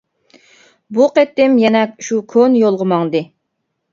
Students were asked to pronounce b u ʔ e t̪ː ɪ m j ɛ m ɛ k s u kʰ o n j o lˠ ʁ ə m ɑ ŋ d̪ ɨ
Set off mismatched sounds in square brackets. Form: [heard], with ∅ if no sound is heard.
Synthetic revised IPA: b u [q] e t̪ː ɪ m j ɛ [n] ɛ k [ʃ] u kʰ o n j o lˠ ʁ ə m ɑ ŋ d̪ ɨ